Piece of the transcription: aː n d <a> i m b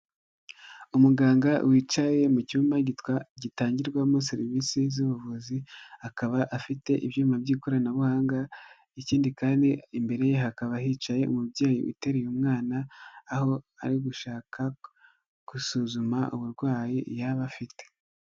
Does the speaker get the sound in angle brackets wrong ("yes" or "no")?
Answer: yes